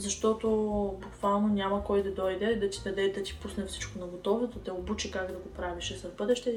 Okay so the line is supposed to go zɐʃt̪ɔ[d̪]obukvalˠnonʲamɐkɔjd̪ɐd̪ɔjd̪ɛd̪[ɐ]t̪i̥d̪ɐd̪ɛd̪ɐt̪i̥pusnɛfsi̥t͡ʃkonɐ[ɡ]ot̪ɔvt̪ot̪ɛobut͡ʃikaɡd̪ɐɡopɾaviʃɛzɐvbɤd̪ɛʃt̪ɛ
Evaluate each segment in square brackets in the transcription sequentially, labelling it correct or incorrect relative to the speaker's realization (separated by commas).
incorrect, correct, correct